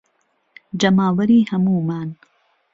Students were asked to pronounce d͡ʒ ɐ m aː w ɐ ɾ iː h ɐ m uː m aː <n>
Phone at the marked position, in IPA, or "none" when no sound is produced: n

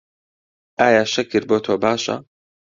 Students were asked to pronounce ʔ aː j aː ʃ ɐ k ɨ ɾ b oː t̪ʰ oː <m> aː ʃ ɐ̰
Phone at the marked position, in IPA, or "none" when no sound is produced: b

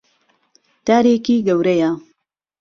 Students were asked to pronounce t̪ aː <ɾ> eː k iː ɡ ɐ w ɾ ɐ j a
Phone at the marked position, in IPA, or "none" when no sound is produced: ɾ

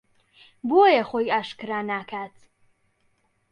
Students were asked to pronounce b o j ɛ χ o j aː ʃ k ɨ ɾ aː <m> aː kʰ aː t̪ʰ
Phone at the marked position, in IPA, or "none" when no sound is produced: n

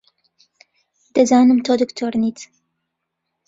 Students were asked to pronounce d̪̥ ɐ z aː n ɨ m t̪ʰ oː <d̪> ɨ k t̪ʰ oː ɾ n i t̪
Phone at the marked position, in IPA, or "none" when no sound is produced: d̪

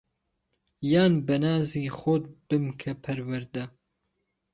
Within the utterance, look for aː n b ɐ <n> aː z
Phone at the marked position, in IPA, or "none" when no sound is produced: n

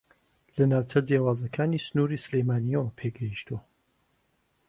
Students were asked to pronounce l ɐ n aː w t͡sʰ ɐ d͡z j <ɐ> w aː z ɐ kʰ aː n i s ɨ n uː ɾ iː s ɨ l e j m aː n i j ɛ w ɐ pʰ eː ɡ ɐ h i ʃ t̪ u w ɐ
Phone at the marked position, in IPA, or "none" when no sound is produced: a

